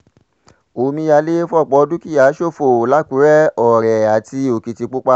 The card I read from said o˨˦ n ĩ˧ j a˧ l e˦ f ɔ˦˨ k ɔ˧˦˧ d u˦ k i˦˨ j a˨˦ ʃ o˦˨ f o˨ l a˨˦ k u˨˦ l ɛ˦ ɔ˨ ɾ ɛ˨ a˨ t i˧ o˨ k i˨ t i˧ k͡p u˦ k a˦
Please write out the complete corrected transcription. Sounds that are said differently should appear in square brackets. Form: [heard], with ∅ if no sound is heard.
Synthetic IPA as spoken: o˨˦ [m] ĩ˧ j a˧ l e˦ f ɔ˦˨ [k͡p] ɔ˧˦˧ d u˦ k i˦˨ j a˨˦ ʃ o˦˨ f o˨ l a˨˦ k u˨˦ [ɾ] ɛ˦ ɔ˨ ɾ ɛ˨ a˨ t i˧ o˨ k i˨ t i˧ k͡p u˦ [k͡p] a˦